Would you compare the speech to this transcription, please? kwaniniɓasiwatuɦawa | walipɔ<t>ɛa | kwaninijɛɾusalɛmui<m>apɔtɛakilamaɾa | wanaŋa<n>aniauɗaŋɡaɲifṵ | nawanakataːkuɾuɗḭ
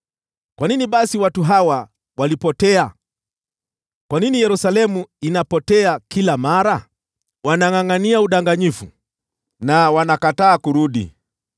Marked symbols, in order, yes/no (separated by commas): yes, no, no